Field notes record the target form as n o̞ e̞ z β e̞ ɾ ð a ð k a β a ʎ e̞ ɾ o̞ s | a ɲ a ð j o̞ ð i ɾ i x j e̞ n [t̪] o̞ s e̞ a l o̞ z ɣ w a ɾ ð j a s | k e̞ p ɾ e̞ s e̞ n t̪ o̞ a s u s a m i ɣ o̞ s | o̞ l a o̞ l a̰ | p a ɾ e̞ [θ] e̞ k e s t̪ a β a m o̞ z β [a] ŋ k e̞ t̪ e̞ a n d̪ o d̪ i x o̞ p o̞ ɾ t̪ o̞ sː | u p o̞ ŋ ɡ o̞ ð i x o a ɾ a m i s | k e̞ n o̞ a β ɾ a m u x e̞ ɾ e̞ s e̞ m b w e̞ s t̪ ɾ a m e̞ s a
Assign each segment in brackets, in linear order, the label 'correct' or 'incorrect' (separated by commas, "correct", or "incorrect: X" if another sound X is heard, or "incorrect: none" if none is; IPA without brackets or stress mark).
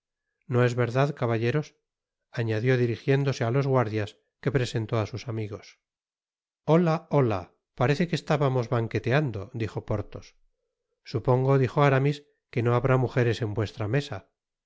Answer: incorrect: d̪, correct, correct